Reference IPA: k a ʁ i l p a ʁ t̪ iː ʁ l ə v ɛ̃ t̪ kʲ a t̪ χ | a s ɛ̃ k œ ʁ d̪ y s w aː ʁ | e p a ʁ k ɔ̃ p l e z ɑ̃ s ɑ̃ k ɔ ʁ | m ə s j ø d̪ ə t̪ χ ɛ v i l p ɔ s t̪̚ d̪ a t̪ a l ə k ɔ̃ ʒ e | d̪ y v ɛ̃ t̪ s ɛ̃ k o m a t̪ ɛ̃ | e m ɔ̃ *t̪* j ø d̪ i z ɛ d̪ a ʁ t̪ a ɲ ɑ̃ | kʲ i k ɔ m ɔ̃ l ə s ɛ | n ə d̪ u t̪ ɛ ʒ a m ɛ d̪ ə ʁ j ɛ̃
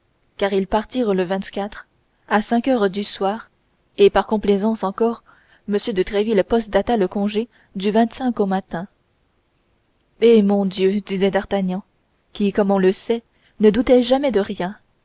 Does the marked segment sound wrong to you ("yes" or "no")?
yes